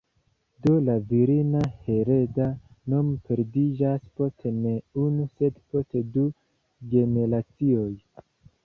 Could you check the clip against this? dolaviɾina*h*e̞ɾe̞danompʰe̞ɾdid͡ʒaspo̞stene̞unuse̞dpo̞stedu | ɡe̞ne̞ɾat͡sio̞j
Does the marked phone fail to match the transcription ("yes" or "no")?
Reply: no